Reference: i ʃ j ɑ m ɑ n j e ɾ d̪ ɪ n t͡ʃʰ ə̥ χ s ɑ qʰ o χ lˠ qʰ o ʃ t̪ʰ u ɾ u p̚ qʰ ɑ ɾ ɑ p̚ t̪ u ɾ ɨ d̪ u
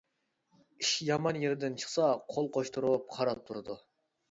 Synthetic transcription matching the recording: i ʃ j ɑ m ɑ n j e ɾ d̪ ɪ n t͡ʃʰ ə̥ χ s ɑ qʰ o lˠ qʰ o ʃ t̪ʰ u ɾ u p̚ qʰ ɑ ɾ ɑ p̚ t̪ʰ u ɾ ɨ d̪ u